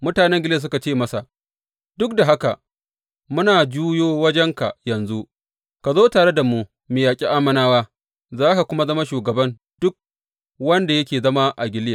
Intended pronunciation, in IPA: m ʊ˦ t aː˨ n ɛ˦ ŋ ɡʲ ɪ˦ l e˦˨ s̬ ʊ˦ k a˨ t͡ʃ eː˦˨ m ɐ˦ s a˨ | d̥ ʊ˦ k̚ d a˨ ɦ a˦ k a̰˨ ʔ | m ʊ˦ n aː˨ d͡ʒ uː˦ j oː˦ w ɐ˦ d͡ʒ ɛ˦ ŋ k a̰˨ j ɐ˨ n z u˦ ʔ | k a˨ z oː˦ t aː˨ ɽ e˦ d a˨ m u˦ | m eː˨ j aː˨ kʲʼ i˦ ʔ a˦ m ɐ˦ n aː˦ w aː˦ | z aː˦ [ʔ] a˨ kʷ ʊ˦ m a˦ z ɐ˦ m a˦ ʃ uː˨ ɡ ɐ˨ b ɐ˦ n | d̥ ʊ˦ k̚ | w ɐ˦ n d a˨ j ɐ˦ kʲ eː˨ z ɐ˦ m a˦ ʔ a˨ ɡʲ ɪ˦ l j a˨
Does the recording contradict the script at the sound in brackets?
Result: yes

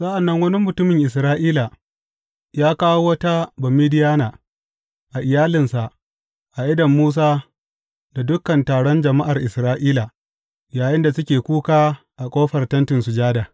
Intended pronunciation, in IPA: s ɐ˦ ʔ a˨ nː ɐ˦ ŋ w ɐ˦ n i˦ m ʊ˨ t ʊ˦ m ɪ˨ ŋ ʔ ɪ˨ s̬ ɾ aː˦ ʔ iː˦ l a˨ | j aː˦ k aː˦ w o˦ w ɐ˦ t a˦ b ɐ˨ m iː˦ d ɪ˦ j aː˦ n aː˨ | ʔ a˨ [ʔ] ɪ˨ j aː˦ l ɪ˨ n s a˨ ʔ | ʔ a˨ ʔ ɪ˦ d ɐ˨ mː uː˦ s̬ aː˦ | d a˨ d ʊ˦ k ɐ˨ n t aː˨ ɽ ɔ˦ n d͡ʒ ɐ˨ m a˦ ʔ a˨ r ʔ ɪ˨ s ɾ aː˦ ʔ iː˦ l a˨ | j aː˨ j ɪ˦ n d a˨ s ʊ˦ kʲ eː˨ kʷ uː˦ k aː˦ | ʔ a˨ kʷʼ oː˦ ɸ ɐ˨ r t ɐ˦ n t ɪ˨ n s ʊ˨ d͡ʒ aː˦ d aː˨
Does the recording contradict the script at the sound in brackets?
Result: no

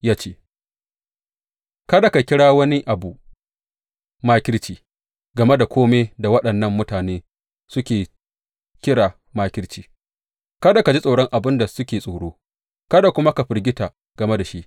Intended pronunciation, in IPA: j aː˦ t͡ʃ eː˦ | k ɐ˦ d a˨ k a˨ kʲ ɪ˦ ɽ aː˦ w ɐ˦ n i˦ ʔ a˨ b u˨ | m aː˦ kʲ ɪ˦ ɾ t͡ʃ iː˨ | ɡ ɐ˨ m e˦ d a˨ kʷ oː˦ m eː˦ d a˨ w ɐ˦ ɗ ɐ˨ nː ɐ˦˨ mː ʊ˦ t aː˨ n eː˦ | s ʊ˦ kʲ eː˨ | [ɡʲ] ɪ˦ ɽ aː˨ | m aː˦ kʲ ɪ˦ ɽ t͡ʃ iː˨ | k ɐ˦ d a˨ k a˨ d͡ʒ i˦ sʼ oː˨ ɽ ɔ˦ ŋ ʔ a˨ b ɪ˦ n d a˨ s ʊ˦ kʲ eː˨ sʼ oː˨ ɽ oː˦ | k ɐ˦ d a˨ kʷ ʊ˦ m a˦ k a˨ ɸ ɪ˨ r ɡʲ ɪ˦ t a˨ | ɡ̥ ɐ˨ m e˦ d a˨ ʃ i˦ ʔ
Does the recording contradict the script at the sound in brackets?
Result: yes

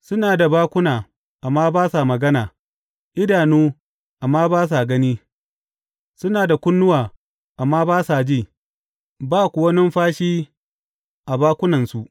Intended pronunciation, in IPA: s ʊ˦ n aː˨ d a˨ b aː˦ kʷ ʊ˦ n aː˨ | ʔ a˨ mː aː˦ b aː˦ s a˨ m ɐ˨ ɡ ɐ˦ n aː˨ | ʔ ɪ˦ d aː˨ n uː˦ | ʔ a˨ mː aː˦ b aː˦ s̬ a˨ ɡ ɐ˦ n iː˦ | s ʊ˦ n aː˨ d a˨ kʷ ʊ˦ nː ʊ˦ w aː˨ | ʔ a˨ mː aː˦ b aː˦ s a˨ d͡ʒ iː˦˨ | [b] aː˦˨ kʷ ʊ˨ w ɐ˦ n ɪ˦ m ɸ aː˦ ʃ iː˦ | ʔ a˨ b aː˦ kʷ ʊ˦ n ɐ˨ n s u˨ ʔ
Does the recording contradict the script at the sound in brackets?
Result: no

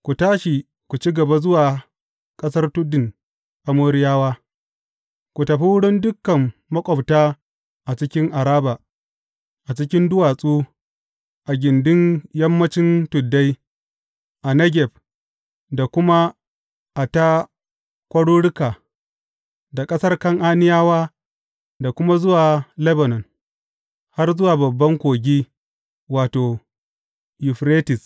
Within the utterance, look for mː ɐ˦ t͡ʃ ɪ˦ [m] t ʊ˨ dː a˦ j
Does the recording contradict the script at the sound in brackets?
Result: yes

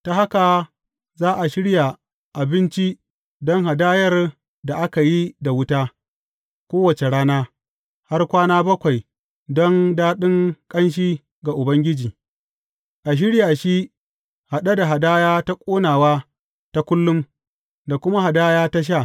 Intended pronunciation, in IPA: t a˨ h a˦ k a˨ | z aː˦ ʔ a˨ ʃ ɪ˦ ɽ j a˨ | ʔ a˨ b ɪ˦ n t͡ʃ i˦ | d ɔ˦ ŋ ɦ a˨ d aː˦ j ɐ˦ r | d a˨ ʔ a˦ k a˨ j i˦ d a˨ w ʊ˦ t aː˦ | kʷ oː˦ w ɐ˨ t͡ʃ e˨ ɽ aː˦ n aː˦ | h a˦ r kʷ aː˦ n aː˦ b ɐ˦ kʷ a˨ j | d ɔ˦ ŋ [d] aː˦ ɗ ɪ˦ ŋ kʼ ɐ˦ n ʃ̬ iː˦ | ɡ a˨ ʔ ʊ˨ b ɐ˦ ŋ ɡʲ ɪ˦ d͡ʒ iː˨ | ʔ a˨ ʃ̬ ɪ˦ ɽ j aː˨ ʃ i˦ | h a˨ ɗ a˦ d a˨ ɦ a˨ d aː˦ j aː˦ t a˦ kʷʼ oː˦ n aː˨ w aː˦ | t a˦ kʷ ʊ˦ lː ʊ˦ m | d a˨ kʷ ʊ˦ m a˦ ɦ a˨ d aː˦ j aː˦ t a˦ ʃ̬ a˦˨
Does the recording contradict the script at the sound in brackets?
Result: no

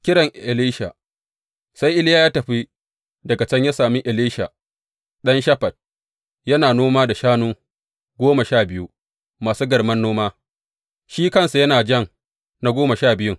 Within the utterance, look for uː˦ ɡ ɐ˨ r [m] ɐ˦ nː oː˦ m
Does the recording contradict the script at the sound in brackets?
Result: no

